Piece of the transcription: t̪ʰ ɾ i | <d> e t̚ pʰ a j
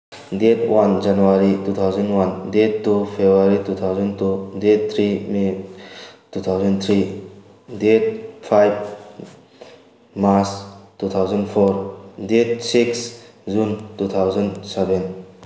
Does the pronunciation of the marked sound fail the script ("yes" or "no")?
no